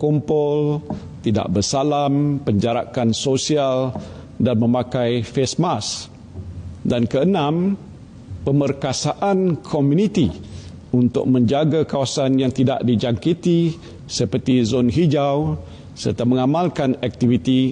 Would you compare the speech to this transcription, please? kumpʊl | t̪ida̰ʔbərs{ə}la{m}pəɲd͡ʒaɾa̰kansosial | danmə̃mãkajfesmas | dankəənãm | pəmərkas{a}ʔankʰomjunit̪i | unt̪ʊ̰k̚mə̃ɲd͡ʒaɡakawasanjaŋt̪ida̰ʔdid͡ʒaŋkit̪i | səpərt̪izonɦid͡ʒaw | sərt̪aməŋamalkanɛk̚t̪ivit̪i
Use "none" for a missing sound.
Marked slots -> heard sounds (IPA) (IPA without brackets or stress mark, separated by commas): a, m, a